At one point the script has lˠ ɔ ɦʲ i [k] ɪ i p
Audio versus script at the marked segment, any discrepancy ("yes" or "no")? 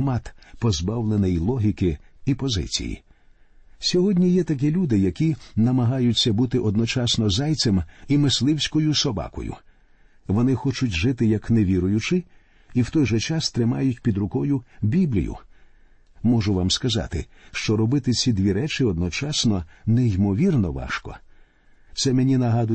no